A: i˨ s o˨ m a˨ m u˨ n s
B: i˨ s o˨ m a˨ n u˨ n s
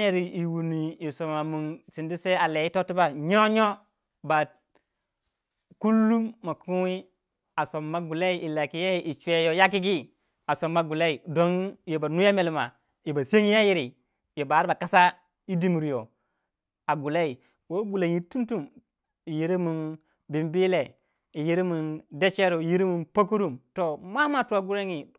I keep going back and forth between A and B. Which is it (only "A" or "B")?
A